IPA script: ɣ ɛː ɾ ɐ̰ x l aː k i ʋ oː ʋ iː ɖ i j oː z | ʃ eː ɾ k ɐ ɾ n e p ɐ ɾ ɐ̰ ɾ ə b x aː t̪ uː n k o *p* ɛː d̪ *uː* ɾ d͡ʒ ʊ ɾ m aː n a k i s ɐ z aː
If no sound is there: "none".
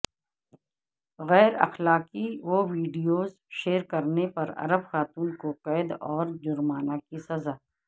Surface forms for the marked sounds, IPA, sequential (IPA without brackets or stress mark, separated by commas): q, ɔː